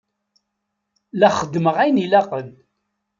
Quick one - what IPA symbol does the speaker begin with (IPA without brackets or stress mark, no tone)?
l